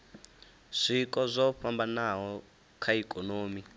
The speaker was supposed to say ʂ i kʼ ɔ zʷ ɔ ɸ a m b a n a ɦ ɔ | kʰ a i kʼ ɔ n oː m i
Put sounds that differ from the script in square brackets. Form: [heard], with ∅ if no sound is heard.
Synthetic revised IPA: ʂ i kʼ ɔ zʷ ɔ ɸ a m b a n a ɦ ɔ | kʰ a i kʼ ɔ n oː m i